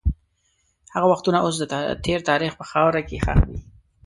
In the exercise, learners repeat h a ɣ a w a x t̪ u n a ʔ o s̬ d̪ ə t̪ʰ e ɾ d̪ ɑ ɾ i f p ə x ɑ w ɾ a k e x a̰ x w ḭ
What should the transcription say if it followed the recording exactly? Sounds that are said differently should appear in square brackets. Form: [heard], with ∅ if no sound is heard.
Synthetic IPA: h a ɣ a w a x t̪ u n a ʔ o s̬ d̪ ə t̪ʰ e ɾ [t̪] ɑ ɾ i [x] p ə x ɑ w ɾ a k e x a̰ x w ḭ